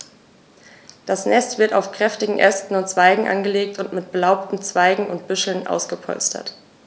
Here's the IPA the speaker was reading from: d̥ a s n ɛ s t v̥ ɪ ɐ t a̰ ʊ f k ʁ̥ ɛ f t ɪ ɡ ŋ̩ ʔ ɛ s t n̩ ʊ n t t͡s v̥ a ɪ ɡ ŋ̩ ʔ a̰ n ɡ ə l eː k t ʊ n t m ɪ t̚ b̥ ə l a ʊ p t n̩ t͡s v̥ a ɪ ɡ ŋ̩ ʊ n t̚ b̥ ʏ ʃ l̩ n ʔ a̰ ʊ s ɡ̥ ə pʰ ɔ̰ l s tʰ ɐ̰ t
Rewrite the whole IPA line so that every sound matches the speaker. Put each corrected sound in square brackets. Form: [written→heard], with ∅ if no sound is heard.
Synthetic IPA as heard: d̥ a s n ɛ s t v̥ ɪ ɐ t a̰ ʊ f k ʁ̥ ɛ f t ɪ ɡ ŋ̩ ʔ ɛ s t n̩ ʊ n t t͡s v̥ a ɪ ɡ ŋ̩ ʔ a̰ n ɡ ə l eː k t ʊ n t m ɪ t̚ b̥ ə l a ʊ p t n̩ t͡s v̥ a ɪ ɡ ŋ̩ ʊ n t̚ b̥ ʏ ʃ l̩ n ʔ a̰ ʊ s ɡ̥ ə pʰ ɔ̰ l s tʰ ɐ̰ t